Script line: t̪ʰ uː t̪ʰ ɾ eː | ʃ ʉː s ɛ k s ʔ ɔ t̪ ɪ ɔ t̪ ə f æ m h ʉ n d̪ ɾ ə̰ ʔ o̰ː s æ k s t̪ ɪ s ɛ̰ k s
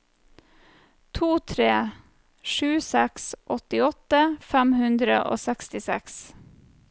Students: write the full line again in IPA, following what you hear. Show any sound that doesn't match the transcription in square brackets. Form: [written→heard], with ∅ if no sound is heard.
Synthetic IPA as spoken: t̪ʰ uː t̪ʰ ɾ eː | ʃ ʉː s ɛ k s ʔ ɔ t̪ ɪ ɔ t̪ ə f æ m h ʉ n d̪ ɾ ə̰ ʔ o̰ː s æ k s t̪ ɪ s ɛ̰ k s